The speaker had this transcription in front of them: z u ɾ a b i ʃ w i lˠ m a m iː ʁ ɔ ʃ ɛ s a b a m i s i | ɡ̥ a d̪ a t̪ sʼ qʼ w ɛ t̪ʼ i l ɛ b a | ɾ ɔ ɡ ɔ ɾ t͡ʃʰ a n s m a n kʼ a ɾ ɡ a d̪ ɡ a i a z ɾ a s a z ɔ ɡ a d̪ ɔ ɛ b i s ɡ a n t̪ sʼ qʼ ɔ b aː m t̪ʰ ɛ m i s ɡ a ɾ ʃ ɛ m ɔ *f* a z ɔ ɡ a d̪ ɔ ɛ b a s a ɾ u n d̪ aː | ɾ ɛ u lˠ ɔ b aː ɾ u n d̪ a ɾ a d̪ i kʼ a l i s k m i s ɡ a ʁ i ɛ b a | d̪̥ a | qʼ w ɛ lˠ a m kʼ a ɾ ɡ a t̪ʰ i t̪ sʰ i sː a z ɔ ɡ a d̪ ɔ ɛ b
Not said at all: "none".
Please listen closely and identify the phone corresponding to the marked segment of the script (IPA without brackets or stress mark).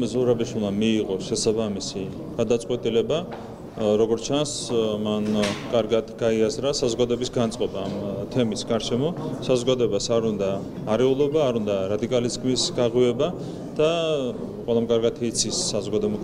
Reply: s